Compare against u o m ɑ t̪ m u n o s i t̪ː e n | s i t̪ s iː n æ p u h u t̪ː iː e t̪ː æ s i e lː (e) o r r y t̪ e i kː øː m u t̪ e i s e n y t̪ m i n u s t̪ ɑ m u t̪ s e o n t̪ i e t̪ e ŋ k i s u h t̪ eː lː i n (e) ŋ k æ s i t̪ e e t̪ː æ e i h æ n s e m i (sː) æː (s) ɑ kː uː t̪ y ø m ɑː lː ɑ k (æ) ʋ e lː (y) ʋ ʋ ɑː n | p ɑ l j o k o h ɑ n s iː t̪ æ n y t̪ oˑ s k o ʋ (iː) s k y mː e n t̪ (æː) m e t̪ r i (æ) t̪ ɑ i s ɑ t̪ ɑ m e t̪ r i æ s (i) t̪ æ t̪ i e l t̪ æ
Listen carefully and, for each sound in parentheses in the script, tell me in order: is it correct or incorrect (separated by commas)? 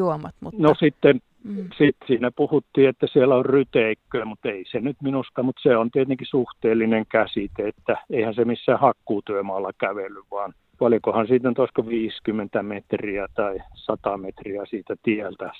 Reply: incorrect, correct, correct, incorrect, correct, correct, correct, incorrect, correct, incorrect